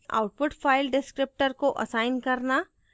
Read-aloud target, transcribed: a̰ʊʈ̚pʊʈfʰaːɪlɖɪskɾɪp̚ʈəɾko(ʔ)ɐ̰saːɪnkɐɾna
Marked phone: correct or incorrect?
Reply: correct